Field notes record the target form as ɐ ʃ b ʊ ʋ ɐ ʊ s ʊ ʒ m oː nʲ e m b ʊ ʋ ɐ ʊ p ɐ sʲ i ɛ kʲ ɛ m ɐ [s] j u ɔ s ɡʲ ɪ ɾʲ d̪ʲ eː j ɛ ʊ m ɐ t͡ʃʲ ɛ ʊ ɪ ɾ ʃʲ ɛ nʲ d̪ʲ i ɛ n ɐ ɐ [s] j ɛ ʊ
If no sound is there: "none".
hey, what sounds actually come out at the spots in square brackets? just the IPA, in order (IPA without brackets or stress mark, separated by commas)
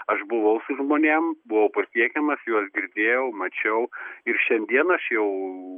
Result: s, ʃ